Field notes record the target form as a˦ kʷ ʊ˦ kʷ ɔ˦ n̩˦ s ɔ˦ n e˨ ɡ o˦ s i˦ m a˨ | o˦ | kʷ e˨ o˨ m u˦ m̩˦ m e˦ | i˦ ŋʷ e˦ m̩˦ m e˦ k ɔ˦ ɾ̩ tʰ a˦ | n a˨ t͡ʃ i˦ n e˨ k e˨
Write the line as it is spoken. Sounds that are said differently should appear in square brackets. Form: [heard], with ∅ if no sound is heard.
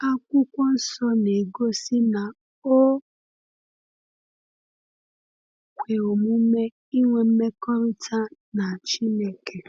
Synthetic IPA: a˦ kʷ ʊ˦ kʷ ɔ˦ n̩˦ s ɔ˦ n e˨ ɡ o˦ s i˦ [n] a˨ | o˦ | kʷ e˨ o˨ m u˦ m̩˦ m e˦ | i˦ ŋʷ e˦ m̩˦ m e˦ k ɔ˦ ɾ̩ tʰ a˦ | n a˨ t͡ʃ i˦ n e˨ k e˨